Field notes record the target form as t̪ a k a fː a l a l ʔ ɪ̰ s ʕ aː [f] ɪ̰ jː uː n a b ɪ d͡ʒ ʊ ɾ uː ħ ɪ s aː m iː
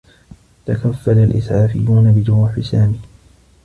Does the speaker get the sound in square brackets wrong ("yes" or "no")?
no